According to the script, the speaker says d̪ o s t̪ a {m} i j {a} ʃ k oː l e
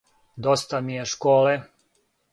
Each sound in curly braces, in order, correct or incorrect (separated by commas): correct, incorrect